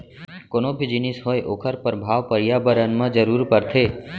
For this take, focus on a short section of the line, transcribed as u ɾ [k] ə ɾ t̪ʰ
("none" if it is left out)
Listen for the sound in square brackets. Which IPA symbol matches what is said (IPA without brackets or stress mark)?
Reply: p